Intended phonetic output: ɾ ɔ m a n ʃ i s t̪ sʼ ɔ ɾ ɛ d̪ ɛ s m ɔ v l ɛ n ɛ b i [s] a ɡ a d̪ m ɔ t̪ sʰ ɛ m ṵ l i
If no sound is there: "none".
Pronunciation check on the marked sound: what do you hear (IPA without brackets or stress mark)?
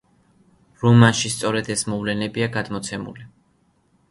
none